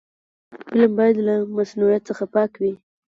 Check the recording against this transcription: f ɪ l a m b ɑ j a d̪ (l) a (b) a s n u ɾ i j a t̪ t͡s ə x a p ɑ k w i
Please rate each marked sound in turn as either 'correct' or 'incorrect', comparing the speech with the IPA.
correct, incorrect: m

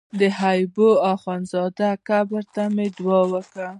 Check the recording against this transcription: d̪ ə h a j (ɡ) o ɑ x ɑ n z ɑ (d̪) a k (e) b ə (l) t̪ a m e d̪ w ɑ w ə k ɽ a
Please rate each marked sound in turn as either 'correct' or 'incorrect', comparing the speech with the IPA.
incorrect: b, correct, incorrect: a, incorrect: ɾ

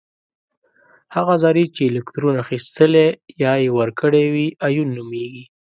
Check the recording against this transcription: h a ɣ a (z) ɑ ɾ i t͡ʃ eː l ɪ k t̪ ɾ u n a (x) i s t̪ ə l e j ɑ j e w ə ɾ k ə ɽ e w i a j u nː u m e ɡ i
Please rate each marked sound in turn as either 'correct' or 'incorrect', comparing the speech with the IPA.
correct, correct

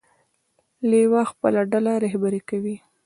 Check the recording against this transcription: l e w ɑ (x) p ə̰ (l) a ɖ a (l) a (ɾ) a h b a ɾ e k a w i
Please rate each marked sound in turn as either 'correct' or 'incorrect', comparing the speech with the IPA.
correct, correct, correct, correct

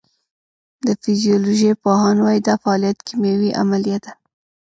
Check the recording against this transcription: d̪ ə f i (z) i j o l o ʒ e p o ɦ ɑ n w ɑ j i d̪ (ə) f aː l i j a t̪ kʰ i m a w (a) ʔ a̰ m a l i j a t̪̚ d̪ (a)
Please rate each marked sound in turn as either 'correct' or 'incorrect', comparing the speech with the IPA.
correct, incorrect: ɑ, incorrect: i, correct

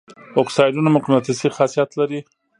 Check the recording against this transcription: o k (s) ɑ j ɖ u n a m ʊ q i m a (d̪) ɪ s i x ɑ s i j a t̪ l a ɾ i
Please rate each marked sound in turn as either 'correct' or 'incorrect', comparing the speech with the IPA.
correct, incorrect: t̪

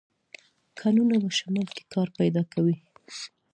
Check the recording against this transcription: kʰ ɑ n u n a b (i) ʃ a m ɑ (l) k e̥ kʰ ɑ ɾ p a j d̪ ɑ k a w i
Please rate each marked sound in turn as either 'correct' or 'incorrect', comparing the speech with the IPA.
incorrect: a, correct

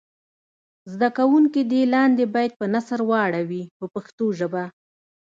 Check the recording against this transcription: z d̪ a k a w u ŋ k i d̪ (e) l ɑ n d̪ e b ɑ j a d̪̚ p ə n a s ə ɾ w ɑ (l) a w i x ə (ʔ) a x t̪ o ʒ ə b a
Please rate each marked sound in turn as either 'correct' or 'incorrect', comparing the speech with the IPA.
correct, incorrect: ɽ, incorrect: p

